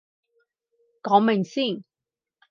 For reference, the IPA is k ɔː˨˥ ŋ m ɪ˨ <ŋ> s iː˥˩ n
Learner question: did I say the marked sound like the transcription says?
yes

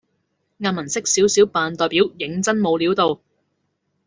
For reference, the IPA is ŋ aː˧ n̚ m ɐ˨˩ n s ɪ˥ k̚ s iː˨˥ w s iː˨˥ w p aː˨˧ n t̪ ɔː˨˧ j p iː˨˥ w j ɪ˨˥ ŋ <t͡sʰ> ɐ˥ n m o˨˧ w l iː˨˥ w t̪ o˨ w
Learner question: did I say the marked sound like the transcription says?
no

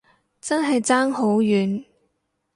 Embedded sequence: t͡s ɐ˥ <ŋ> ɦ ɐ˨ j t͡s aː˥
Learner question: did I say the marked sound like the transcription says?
no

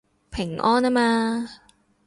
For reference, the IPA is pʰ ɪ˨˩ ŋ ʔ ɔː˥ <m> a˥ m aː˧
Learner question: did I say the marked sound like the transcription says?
no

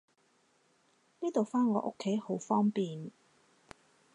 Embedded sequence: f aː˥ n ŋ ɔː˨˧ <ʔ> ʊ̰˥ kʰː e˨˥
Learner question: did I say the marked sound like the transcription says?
yes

